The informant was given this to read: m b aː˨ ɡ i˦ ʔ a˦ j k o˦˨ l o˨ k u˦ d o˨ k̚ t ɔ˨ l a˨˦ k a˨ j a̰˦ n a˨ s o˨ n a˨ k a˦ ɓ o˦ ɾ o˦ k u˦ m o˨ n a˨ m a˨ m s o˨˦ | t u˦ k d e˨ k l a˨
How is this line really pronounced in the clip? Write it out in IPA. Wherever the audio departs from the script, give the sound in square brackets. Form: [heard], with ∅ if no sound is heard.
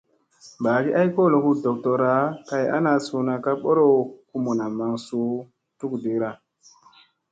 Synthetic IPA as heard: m b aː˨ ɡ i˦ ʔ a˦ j k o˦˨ l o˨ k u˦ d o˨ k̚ t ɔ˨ [ɾ] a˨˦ k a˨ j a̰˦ n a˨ s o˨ n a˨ k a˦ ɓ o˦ ɾ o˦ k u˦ m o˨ n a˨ m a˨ [ŋ] s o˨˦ | t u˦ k d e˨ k [ɾ] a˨